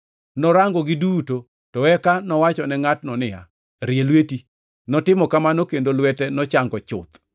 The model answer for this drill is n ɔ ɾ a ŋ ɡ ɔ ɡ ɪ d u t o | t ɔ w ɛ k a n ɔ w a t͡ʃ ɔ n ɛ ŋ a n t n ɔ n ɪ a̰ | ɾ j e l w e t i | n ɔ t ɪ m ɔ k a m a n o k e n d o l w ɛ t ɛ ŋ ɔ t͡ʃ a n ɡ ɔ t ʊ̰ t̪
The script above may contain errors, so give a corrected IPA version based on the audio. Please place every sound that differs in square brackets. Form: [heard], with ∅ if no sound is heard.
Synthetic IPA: n ɔ ɾ a ŋ ɡ ɔ ɡ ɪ d u t o | t ɔ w ɛ k a n ɔ w a t͡ʃ ɔ n ɛ ŋ a [∅] t n ɔ n ɪ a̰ | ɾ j e l w e t i | n ɔ t ɪ m ɔ k a m a n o k e n d o l w ɛ t ɛ [n] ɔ t͡ʃ a [ŋ] ɡ ɔ [t͡ʃ] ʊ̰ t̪